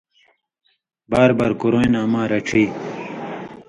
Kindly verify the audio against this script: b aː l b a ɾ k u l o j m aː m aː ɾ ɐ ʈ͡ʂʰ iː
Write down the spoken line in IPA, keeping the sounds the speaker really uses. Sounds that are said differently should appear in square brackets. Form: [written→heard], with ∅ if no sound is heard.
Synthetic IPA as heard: b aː [l→ɾ] b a ɾ k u [l→ɾ] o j [m→n] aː m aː ɾ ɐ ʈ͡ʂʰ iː

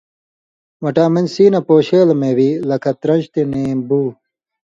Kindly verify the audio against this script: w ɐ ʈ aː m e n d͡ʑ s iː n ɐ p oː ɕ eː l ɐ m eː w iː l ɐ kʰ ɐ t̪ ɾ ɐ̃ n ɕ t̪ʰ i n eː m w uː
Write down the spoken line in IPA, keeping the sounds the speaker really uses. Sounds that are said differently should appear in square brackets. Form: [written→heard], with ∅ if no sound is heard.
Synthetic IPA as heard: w ɐ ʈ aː m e n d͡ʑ s iː n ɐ p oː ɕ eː l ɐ m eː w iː l ɐ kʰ ɐ t̪ ɾ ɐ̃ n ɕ [t̪ʰ→t̪] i n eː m [w→b] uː

